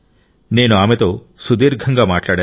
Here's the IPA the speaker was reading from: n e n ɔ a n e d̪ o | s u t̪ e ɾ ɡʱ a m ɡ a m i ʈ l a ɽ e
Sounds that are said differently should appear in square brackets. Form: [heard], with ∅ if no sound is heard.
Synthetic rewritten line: n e n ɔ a [m] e [t̪] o | s u [d̪] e ɾ ɡʱ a [ŋ] ɡ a m [a] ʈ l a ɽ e